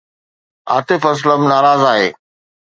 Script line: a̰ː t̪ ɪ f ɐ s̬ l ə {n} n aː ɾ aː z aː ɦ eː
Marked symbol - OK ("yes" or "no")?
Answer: no